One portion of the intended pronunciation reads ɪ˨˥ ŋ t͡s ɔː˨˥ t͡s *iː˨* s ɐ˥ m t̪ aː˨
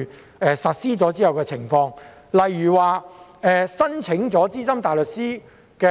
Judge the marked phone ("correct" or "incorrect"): incorrect